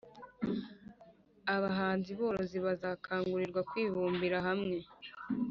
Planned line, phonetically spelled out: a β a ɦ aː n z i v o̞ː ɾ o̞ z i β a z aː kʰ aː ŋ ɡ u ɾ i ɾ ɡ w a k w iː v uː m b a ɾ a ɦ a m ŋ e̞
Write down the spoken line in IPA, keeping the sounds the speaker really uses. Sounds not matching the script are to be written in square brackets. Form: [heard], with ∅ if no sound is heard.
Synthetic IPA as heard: a β a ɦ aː n z i [β] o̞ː ɾ o̞ z i β a z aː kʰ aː ŋ ɡ u ɾ i ɾ ɡ w a k w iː [β] uː m b [i] ɾ a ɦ a m ŋ e̞